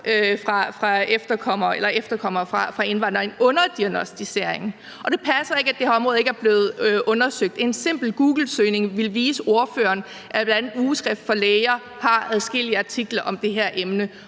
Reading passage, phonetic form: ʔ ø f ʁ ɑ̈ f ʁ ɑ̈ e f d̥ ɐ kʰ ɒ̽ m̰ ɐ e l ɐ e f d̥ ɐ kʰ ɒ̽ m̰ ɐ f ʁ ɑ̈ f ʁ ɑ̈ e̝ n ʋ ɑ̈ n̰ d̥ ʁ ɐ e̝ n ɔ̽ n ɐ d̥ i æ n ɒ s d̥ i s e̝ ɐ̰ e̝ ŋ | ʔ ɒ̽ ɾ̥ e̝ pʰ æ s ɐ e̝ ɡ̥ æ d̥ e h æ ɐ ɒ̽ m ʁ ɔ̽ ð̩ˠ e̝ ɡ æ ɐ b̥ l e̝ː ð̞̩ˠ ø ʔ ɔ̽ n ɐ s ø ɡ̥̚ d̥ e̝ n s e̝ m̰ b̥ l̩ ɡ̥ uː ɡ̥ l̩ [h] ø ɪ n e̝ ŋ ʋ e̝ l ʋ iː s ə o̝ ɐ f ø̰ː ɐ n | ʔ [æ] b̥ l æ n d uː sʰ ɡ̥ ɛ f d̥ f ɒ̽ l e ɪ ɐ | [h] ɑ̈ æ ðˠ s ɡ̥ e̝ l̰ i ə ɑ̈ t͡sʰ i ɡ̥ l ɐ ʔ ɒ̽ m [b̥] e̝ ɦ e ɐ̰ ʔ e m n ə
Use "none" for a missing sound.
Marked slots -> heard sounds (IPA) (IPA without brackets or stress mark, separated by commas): s, æ, h, d̥